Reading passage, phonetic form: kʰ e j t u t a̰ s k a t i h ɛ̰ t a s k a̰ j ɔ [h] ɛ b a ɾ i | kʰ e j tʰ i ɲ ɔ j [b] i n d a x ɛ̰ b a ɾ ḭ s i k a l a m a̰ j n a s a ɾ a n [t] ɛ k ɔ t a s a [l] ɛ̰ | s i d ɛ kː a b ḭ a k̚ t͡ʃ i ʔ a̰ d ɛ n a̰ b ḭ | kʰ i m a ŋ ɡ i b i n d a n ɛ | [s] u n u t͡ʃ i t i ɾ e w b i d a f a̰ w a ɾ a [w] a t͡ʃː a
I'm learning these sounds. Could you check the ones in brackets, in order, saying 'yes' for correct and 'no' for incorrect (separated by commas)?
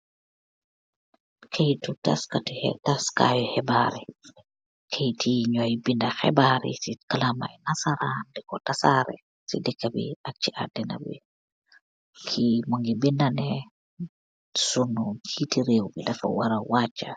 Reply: yes, yes, no, no, yes, yes